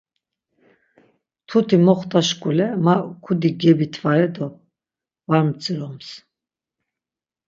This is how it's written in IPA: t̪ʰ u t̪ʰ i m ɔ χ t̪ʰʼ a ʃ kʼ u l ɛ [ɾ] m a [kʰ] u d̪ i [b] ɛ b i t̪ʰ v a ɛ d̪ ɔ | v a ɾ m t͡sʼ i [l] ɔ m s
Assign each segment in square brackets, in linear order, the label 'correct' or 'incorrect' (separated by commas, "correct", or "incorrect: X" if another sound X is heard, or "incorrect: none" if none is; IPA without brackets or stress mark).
incorrect: none, correct, incorrect: ɡ, incorrect: ɾ